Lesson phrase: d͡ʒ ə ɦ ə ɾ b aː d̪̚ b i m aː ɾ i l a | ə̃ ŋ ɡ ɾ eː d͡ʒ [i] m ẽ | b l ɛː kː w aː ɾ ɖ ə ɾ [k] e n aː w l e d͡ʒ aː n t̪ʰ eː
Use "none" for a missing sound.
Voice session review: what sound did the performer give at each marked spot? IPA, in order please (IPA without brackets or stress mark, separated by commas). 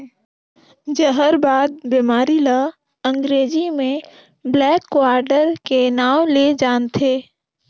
i, k